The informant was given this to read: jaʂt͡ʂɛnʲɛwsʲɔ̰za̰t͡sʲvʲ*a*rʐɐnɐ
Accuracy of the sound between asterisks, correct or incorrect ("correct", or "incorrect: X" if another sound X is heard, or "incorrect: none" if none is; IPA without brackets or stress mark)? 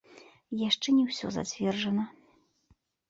incorrect: ɛ